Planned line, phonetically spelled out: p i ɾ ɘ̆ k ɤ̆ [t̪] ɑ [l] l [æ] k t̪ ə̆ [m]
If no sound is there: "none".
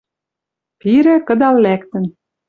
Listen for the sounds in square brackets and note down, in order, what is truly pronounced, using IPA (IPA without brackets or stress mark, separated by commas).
d̪, l, æ, n